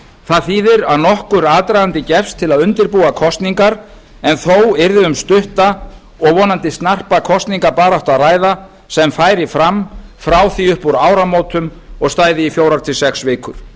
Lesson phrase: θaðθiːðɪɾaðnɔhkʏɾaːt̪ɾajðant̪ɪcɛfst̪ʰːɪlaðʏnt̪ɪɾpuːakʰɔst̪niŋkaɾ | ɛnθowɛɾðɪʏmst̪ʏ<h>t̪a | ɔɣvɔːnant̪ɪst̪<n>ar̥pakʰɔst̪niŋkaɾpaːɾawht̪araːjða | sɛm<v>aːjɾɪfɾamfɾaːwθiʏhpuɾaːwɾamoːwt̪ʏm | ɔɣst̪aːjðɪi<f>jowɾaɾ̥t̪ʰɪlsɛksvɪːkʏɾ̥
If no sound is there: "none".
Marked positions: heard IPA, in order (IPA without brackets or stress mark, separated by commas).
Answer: h, n, f, f